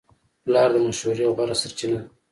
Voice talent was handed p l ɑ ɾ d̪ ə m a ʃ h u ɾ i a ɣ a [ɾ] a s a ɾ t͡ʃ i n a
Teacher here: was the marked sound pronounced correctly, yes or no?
yes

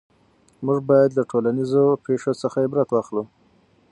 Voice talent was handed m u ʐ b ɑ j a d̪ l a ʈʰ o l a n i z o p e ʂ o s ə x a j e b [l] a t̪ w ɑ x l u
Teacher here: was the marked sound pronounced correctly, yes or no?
no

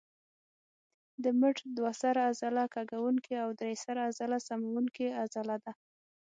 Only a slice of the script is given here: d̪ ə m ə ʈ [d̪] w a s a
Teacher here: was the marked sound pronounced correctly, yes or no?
yes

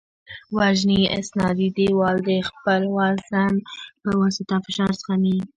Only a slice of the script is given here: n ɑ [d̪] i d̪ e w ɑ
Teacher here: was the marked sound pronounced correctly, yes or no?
yes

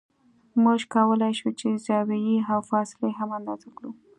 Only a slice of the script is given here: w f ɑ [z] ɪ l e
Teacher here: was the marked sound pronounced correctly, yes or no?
no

